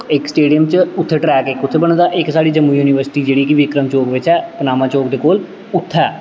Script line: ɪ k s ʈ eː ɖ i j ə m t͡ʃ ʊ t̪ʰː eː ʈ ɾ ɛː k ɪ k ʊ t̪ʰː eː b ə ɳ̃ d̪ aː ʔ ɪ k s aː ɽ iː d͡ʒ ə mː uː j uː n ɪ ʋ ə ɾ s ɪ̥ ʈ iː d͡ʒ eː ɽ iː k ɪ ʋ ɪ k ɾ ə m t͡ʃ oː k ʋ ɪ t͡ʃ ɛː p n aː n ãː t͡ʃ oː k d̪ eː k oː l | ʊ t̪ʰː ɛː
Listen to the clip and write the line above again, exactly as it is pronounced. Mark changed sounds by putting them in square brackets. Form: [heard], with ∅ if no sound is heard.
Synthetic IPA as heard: ɪ k s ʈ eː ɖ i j ə m t͡ʃ ʊ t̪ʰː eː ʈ ɾ ɛː k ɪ k ʊ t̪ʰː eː b ə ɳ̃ d̪ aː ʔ ɪ k s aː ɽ iː d͡ʒ ə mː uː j uː n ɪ ʋ ə ɾ s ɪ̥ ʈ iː d͡ʒ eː ɽ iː k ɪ ʋ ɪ k ɾ ə m t͡ʃ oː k ʋ ɪ t͡ʃ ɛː p n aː [m] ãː t͡ʃ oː k d̪ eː k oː l | ʊ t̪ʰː ɛː